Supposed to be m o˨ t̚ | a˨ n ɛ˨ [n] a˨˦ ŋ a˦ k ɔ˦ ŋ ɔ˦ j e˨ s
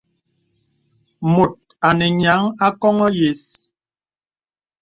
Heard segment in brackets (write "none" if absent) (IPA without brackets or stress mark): ɲ